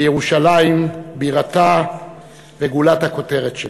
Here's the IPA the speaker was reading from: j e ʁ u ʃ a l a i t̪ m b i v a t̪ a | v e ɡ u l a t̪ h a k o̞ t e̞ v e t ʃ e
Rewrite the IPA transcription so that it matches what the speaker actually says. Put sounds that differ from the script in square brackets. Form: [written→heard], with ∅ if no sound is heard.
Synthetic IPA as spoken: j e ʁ u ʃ a l a i [t̪→∅] m b i [v→ʁ] a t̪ a | v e ɡ u l a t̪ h a k o̞ t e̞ [v→ʁ] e t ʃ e